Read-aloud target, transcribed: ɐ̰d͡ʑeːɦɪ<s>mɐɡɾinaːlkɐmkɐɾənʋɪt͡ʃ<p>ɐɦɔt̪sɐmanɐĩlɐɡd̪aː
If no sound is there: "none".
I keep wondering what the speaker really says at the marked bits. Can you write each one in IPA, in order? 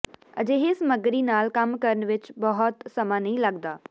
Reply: s, b

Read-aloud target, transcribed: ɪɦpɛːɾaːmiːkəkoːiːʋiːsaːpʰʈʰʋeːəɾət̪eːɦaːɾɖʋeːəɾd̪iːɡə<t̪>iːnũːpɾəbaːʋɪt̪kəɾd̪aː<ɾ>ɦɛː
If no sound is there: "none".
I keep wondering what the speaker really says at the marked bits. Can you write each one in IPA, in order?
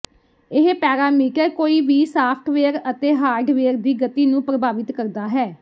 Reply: t̪, none

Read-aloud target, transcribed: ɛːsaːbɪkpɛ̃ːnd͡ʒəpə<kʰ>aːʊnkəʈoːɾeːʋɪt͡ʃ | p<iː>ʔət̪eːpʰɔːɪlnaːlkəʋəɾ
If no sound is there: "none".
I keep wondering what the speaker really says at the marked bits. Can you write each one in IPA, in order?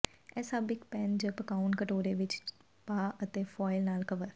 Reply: k, aː

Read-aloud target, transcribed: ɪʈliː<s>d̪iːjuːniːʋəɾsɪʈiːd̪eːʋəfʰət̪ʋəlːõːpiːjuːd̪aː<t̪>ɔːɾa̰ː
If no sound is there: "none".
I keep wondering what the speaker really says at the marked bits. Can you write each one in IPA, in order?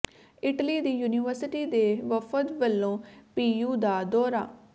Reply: none, d̪

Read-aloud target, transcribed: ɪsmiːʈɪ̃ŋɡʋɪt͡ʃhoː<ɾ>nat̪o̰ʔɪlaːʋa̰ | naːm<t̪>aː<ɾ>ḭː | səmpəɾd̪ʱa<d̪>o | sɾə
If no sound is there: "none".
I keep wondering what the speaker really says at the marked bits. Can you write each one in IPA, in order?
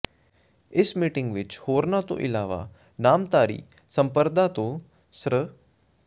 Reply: ɾ, t̪, ɾ, t̪

